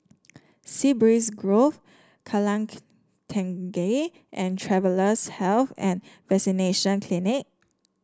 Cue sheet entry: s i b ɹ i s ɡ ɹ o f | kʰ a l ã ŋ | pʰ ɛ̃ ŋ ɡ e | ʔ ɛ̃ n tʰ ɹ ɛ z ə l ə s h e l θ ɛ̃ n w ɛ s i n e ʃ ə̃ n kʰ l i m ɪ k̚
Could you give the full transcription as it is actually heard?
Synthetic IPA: s i b ɹ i s ɡ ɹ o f | kʰ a l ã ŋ | tʰ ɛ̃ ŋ ɡ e | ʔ ɛ̃ n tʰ ɹ ɛ v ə l ə s h ɛ l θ ɛ̃ n v ɛ s i n e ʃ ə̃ n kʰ l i n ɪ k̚